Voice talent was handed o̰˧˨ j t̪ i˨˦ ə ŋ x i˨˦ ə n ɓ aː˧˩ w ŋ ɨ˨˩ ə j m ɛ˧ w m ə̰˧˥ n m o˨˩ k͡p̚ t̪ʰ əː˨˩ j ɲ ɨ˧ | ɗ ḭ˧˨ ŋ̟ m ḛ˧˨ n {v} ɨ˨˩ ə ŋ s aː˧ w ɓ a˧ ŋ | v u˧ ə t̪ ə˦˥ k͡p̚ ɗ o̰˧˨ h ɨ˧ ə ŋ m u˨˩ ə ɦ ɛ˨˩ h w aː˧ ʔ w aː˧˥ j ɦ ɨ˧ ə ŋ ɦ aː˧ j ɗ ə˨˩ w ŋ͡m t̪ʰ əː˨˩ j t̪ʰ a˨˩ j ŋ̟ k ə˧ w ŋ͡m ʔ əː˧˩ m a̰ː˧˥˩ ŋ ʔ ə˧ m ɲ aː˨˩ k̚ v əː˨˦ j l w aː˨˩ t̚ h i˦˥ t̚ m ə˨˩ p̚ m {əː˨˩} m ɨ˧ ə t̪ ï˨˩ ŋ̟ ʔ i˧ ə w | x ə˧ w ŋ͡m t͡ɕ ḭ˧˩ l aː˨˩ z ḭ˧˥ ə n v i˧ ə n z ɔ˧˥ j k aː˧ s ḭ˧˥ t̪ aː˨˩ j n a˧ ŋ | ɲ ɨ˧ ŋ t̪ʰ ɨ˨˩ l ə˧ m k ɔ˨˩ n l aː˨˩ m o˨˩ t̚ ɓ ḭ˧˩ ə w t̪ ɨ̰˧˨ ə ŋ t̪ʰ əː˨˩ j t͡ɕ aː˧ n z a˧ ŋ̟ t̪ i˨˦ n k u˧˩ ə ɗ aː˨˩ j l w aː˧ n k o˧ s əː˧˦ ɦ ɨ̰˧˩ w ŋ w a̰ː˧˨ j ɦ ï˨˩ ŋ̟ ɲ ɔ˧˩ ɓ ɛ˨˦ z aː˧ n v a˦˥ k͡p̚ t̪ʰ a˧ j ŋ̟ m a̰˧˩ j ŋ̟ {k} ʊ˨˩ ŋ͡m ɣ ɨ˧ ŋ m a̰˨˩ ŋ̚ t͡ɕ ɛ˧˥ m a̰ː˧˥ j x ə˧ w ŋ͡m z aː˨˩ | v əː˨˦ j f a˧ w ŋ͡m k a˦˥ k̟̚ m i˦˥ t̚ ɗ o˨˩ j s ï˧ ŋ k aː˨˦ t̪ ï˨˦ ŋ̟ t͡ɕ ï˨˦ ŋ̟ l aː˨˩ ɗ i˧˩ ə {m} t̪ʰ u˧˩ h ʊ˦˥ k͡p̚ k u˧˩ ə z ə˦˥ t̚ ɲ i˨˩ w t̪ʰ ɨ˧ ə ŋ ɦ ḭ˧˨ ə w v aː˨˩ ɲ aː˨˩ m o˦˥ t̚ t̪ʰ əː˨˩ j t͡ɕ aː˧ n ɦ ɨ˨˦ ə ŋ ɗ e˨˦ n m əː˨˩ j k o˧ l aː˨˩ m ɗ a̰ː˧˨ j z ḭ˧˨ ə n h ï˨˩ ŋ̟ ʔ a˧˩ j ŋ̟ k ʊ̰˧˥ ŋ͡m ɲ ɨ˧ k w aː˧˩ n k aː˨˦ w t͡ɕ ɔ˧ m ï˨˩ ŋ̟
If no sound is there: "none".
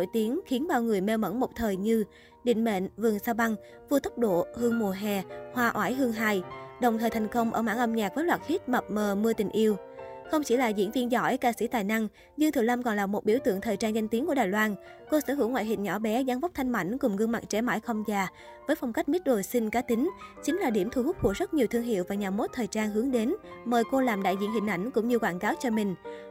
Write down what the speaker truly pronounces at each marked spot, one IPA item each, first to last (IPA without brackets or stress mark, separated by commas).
v, əː˨˩, k, m